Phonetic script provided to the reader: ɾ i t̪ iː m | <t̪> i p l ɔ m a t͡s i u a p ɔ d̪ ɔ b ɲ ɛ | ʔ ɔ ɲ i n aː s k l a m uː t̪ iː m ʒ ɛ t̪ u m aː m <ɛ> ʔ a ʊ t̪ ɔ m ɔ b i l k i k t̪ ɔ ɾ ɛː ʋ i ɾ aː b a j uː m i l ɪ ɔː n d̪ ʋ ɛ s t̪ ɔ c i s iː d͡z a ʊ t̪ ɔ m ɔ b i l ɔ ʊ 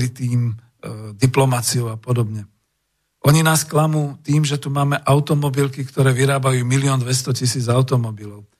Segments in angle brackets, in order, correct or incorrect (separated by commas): incorrect, correct